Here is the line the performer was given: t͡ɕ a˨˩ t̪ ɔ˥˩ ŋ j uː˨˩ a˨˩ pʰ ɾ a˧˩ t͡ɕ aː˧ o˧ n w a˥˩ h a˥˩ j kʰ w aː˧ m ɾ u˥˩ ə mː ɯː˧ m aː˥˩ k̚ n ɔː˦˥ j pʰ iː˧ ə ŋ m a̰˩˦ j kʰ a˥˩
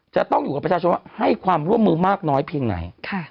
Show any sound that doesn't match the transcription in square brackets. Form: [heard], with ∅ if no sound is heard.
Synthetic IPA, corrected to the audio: t͡ɕ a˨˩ t̪ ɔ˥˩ ŋ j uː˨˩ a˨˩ [p] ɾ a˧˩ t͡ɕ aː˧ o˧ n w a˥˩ h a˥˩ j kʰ w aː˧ m ɾ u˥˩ ə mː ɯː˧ m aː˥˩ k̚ n ɔː˦˥ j pʰ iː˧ ə ŋ [n] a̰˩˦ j kʰ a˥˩